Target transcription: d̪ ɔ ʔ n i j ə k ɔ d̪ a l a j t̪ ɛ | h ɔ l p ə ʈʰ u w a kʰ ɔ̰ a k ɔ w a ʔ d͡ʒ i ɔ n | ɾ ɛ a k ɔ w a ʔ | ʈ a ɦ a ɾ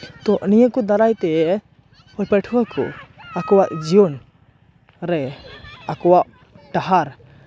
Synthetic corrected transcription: t̪ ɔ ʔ n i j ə k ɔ d̪ a ɾ a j t̪ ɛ | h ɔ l p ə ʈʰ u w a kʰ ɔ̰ a k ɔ w a ʔ d͡ʒ i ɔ n | ɾ ɛ a k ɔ w a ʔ | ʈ a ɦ a ɾ